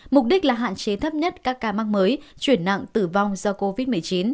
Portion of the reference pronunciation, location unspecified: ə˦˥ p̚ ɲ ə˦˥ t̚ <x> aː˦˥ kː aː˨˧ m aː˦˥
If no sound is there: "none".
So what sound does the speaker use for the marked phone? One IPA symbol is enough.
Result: k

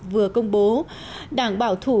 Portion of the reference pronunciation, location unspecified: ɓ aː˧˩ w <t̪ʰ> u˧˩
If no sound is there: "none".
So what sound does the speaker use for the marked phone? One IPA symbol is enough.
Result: t̪ʰ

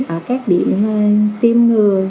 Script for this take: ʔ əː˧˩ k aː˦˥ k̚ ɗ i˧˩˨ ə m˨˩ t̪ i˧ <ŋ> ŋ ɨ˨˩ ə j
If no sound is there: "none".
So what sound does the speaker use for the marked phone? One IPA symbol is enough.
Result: m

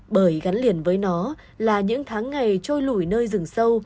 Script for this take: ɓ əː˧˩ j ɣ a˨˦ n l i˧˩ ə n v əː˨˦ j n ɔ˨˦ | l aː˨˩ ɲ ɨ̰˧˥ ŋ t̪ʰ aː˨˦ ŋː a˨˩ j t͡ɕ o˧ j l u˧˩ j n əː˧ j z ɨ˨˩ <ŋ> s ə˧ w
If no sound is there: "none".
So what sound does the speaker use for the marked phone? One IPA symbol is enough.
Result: ŋ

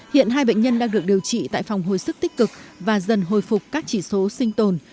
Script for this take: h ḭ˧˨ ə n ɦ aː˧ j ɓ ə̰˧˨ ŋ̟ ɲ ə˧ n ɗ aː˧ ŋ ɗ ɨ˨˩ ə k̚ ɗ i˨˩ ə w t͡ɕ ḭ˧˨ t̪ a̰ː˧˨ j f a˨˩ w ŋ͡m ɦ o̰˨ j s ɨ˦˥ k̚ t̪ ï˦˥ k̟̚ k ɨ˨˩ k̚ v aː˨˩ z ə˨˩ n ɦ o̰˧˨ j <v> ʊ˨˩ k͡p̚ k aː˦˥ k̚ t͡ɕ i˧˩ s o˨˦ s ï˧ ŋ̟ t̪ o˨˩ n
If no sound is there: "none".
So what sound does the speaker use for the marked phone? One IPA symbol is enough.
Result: f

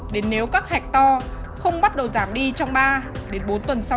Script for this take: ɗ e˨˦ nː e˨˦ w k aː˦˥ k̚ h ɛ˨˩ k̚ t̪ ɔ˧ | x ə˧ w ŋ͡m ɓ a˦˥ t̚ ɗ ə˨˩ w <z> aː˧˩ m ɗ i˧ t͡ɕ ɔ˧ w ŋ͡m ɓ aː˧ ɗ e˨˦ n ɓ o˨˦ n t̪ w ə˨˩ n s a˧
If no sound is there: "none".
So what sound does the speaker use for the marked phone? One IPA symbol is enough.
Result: z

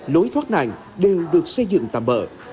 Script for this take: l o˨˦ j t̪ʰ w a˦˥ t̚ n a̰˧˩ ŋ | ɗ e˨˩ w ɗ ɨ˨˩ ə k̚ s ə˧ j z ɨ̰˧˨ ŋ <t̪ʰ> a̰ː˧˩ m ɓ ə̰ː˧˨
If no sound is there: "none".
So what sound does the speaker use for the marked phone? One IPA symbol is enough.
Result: t̪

